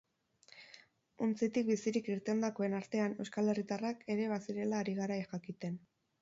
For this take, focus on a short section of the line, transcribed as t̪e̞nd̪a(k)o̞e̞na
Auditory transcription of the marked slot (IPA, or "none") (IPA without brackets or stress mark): k